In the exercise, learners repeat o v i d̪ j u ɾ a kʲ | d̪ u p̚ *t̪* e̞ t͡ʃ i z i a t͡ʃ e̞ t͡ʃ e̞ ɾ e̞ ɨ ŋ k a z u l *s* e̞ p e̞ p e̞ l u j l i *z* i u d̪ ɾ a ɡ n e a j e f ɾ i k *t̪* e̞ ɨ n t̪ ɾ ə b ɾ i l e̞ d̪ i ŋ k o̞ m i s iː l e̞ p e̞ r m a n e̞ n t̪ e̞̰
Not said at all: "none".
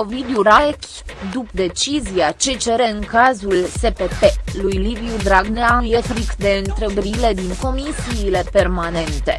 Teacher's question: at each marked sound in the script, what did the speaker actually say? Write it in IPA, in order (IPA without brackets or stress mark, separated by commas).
d̪, s, v, d̪